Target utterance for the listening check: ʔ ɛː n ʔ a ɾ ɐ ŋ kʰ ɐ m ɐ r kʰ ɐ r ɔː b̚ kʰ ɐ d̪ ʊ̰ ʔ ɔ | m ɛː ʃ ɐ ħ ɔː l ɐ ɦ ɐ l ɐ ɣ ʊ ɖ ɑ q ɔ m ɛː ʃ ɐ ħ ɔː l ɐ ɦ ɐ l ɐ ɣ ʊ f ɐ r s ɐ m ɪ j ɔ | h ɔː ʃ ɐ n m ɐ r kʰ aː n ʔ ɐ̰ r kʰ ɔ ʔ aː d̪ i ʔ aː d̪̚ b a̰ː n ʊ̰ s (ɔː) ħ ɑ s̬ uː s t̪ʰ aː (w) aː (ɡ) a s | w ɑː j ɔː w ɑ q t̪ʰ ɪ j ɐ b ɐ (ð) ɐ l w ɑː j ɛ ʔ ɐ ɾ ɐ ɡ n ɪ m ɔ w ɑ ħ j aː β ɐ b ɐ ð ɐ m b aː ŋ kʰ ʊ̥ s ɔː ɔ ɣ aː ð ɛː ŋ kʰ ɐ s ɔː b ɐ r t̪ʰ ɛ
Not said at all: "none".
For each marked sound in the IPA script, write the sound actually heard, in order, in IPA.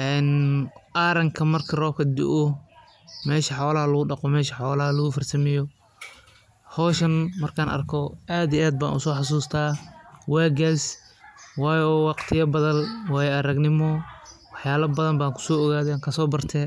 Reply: ɔː, w, ɡ, ð

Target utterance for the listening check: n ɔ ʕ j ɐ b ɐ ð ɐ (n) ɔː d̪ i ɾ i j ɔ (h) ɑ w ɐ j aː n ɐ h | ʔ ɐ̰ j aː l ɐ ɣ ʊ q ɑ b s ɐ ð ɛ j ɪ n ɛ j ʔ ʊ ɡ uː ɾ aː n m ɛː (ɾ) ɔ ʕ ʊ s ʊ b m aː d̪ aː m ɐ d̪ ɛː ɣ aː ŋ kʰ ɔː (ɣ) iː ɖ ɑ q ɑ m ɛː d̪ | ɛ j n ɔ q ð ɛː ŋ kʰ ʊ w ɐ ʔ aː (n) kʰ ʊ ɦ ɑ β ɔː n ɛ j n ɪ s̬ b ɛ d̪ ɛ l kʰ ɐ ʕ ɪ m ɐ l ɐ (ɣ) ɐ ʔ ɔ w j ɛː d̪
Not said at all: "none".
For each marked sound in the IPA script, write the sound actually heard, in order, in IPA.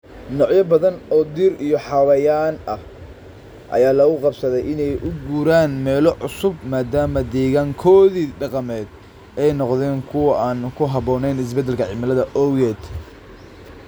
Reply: n, ħ, l, ð, n, ð

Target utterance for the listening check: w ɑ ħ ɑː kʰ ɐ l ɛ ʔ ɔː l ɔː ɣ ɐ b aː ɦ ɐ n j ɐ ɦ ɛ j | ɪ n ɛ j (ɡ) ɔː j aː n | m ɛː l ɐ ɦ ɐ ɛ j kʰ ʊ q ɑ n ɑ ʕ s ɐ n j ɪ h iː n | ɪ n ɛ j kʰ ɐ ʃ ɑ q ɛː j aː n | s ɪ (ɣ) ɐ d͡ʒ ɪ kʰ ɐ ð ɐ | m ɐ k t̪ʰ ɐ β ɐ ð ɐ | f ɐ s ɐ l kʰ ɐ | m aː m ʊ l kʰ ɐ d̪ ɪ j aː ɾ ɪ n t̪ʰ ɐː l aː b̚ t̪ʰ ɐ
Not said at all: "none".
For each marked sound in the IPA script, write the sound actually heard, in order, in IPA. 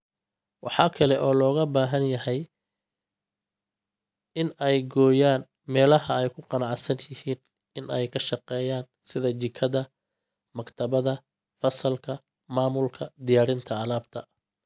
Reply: ɡ, ð

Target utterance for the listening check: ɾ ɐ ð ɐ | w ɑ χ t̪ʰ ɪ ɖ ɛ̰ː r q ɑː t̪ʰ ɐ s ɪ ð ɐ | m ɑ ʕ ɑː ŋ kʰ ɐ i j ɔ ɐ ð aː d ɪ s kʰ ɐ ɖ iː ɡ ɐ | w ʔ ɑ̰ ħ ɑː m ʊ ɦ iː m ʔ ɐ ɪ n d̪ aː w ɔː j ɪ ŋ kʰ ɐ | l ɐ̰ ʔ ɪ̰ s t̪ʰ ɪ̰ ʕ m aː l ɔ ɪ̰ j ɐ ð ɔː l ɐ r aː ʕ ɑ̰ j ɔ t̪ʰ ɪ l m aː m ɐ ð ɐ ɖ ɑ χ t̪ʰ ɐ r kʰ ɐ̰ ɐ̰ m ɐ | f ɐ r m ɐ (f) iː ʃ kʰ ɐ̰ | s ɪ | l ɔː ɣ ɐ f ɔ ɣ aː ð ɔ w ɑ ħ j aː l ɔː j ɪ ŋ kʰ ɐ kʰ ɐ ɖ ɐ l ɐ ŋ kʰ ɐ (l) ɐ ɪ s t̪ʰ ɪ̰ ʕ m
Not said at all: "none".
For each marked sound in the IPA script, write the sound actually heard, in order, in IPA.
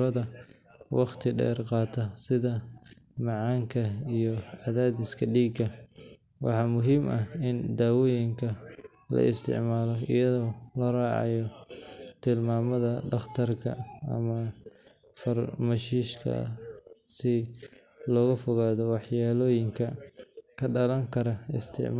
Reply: ʃ, ɾ

